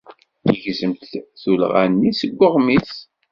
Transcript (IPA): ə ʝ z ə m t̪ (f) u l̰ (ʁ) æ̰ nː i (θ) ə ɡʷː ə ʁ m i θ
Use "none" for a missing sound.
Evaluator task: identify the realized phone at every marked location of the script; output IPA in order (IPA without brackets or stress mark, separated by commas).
θ, ʁ, s